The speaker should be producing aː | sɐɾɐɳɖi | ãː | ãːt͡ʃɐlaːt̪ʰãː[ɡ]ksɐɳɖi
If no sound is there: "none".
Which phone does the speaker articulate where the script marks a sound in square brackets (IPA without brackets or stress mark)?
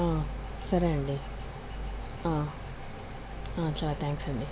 ŋ